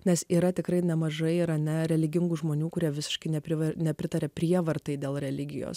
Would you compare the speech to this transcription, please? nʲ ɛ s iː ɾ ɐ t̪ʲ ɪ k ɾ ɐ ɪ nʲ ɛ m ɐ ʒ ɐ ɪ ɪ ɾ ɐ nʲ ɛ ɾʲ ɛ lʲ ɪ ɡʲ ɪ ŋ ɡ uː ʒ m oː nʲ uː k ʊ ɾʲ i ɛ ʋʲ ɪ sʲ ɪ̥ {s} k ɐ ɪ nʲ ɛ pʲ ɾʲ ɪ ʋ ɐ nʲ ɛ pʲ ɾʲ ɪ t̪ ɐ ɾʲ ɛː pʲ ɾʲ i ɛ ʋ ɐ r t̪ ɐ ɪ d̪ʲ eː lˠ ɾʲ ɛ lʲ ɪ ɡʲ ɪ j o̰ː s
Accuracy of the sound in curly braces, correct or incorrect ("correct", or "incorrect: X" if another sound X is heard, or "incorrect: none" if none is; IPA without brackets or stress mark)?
incorrect: ʃ